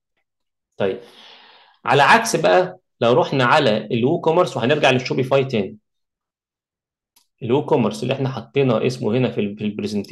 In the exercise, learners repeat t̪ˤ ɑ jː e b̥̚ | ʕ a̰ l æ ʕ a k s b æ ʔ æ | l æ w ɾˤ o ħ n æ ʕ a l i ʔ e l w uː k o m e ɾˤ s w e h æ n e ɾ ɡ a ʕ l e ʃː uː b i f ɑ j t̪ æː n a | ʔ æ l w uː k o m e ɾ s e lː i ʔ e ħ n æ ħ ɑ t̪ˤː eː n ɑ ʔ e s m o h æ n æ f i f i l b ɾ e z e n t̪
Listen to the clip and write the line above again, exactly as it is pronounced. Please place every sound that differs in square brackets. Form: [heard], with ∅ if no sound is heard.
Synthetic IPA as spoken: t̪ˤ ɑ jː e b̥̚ | ʕ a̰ l æ ʕ a k s b æ ʔ æ | l æ w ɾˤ o ħ n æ ʕ a l [æ] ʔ e l w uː k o m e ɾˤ s w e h æ n e ɾ ɡ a ʕ l e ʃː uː b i f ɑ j t̪ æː n [i] | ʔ [e] l w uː k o m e ɾ s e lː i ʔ e ħ n æ ħ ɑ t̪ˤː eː n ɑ ʔ e s m o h [e] n æ f i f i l b ɾ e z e n t̪

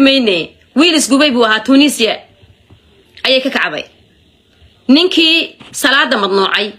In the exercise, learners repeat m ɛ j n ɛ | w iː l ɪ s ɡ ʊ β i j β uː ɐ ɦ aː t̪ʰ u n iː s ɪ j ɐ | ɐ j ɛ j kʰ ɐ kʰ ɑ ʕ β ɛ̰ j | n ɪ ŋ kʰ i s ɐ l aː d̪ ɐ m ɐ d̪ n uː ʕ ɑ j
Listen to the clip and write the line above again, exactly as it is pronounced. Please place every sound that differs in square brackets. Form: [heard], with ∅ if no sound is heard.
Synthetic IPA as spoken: m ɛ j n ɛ | w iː l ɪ s ɡ ʊ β [ɛ] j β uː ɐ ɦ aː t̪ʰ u n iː s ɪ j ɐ | ɐ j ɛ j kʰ ɐ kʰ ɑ ʕ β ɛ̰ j | n ɪ ŋ kʰ [iː] s ɐ l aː d̪ ɐ m ɐ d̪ n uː ʕ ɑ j

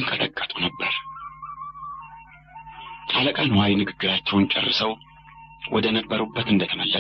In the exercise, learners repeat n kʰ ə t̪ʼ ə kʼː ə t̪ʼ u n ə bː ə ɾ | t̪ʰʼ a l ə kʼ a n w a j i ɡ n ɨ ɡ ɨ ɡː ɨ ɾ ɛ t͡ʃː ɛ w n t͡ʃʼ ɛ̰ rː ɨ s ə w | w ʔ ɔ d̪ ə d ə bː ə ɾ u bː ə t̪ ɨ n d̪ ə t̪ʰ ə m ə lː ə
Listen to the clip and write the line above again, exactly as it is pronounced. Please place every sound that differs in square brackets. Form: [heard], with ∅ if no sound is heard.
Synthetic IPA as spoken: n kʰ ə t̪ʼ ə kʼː ə t̪ʼ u n ə bː ə ɾ | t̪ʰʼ a l ə kʼ a n w a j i [∅] n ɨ ɡ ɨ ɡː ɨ ɾ [a] t͡ʃː ɛ w n t͡ʃʼ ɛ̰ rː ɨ s ə w | w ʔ ɔ d̪ ə [n] ə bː ə ɾ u bː ə t̪ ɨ n d̪ ə t̪ʰ ə m ə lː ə

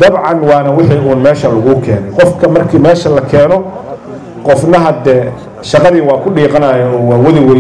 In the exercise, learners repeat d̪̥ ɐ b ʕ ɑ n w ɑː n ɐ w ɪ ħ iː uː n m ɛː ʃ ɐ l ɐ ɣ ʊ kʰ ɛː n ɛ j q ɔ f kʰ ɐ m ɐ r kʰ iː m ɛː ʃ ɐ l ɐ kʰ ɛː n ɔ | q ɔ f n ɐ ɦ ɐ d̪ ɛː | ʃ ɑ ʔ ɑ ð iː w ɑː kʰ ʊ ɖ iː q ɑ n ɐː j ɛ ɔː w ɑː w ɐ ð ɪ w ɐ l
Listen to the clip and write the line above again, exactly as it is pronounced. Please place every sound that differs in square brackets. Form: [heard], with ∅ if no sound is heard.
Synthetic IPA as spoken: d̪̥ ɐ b ʕ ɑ n w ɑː n ɐ w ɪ ħ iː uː n m ɛː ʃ ɐ l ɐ ɣ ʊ kʰ ɛː n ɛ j q ɔ f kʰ ɐ m ɐ r kʰ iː m ɛː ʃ ɐ l ɐ kʰ ɛː n ɔ | q ɔ f n ɐ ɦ ɐ d̪ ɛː | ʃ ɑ [q] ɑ ð iː w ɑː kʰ ʊ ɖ iː q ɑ n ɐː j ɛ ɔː w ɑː w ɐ ð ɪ w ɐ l

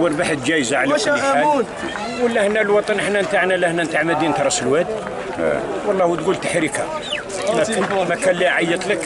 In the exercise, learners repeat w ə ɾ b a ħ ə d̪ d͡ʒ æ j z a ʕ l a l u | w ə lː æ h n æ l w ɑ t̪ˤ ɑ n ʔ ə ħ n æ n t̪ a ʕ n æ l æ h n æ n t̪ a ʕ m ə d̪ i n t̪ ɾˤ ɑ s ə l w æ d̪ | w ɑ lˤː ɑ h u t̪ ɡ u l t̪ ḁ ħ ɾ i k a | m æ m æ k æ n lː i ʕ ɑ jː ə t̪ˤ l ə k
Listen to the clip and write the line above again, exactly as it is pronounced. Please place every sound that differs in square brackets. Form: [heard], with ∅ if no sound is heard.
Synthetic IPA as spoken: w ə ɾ b a ħ ə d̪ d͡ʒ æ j z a ʕ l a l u | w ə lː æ h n æ l w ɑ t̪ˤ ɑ n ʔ ə ħ n æ n t̪ a ʕ n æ l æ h n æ n t̪ a ʕ m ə d̪ i n t̪ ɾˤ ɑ s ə l w æ d̪ | w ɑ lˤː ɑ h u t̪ ɡ u l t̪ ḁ ħ ɾ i k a | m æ m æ k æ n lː i ʕ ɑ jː ə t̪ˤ l ə k

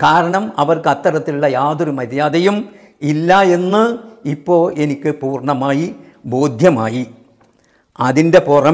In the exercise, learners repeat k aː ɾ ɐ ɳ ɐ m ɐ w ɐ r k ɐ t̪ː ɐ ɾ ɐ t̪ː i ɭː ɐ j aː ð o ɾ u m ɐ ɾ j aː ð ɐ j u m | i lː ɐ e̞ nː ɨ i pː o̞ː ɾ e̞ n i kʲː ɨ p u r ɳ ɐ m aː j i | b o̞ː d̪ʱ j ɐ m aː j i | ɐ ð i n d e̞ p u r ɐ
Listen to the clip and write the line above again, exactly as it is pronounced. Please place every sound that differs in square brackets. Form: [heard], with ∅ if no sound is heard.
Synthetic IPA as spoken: k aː ɾ ɐ ɳ ɐ m ɐ [ʋ] ɐ r k ɐ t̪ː ɐ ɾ ɐ t̪ː i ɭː ɐ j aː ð o ɾ u m ɐ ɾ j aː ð ɐ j u m | i lː ɐ e̞ nː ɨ i pː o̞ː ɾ e̞ n i kʲː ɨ p [uː] r ɳ ɐ m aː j i | b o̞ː d̪ʱ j ɐ m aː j i | ɐ ð i n d e̞ p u r ɐ

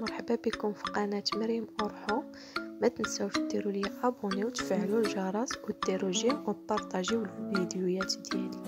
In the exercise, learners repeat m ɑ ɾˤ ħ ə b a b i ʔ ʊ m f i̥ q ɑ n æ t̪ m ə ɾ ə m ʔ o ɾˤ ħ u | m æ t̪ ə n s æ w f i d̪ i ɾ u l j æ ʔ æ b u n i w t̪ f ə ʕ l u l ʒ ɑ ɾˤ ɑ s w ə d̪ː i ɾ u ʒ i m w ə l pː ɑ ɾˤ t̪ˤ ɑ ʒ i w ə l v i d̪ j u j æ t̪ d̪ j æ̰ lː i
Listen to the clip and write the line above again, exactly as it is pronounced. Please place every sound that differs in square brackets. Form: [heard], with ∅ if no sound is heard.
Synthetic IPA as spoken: m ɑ ɾˤ ħ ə b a b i [k] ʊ m f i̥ q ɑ n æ t̪ m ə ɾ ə m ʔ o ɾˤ ħ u | m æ t̪ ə n s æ w f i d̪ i ɾ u l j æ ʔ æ b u n i w t̪ f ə ʕ l u l ʒ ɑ ɾˤ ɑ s w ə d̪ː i ɾ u ʒ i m w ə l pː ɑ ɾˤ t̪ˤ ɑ ʒ i w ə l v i d̪ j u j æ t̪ d̪ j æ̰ [l] i

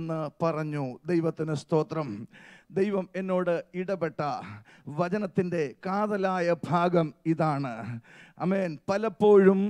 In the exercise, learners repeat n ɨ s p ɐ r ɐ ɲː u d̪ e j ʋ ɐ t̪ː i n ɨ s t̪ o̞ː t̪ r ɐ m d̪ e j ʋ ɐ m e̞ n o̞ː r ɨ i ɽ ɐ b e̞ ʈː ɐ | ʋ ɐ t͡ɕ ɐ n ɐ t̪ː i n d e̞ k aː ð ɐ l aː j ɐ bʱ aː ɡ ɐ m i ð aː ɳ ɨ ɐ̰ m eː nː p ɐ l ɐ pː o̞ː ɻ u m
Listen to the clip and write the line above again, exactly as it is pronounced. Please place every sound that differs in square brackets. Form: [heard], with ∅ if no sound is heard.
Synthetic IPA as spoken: [nː] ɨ [∅] p ɐ r ɐ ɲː u d̪ e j ʋ ɐ t̪ː i n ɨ s t̪ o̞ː t̪ r ɐ m d̪ e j ʋ ɐ m e̞ [nː] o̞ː [ɽ] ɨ i ɽ ɐ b e̞ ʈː ɐ | ʋ ɐ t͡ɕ ɐ n ɐ t̪ː i n d e̞ k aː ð ɐ l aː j ɐ bʱ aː ɡ ɐ m i ð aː ɳ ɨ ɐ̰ m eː [n] p ɐ l ɐ pː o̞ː ɻ u m

